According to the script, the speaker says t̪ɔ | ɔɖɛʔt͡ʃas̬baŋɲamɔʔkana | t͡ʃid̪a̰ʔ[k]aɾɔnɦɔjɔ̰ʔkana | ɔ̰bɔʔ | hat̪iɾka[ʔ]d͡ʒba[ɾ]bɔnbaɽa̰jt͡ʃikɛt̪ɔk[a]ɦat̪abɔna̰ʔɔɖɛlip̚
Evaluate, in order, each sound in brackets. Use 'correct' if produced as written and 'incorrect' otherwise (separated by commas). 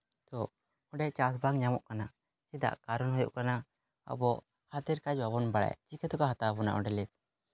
correct, incorrect, incorrect, correct